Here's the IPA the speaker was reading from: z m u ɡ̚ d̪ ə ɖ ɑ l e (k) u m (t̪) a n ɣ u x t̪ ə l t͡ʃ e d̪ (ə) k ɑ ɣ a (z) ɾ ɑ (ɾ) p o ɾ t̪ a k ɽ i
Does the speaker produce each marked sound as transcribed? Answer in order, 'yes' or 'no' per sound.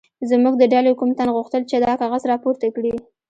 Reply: yes, yes, no, yes, no

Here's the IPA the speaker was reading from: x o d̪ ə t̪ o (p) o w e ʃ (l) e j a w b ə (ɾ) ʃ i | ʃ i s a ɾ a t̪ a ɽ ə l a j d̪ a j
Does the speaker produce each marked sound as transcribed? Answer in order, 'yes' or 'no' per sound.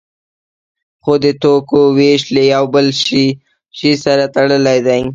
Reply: no, yes, no

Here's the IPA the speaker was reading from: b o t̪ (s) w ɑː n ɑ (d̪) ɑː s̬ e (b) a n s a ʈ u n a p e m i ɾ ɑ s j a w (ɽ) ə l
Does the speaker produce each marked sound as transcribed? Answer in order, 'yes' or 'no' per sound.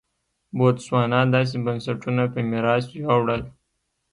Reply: yes, yes, yes, yes

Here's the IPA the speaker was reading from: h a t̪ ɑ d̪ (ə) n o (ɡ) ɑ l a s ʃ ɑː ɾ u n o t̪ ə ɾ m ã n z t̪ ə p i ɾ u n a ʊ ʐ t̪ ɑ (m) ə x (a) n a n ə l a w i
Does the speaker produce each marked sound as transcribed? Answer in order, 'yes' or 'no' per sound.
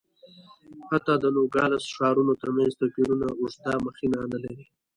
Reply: yes, yes, yes, no

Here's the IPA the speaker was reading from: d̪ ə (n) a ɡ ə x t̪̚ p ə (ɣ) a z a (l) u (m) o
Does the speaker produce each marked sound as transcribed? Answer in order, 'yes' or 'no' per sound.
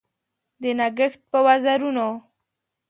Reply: yes, no, no, no

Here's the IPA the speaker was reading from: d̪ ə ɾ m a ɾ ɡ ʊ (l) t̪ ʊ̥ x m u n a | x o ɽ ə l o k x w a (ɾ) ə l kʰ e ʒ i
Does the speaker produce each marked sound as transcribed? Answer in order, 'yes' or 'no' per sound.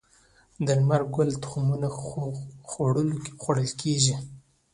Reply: yes, no

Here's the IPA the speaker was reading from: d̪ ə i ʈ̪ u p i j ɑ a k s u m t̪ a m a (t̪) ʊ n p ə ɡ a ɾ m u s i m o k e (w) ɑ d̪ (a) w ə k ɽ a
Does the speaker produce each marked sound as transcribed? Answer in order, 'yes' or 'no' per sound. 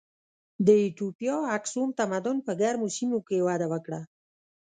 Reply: no, yes, yes

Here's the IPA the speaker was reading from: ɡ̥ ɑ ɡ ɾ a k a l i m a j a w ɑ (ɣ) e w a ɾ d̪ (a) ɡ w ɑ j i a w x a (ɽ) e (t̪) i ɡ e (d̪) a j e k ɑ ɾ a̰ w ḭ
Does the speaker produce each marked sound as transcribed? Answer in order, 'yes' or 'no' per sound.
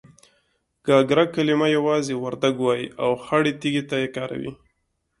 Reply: no, yes, yes, yes, no

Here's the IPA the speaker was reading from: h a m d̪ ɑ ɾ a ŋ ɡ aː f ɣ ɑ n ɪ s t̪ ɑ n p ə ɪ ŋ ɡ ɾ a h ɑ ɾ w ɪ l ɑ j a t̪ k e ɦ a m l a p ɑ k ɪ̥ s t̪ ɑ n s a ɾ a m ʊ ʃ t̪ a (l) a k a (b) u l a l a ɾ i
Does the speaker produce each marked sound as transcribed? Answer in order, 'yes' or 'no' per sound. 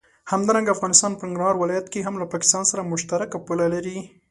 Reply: no, no

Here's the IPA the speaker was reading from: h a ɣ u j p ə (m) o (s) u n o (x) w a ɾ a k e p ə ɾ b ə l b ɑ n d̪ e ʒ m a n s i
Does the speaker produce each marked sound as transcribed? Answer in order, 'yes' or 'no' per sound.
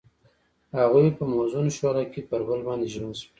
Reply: yes, no, no

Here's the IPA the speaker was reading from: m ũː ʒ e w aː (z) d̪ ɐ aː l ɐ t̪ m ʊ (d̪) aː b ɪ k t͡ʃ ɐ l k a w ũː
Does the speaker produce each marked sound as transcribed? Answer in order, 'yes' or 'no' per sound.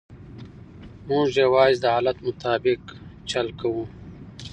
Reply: yes, no

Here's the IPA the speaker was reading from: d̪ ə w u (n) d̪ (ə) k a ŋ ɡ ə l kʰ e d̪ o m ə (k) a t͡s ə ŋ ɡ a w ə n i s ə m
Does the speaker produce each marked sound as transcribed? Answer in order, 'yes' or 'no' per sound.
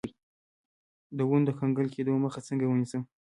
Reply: yes, yes, no

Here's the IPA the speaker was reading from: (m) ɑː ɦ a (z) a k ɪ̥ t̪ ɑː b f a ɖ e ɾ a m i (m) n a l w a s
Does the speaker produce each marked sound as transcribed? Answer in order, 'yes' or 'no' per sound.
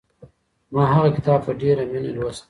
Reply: yes, no, no

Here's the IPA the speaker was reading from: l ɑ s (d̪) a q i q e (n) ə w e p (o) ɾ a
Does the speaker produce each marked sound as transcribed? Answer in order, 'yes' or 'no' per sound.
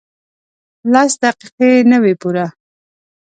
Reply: yes, yes, no

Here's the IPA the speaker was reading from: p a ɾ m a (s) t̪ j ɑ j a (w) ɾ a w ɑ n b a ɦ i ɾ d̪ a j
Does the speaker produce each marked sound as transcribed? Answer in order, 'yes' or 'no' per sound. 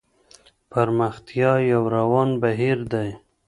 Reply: no, yes

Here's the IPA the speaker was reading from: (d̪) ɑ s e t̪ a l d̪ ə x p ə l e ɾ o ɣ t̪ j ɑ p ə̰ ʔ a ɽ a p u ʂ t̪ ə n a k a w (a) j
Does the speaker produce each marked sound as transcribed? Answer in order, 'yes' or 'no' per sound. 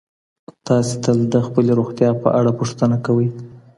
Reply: no, no

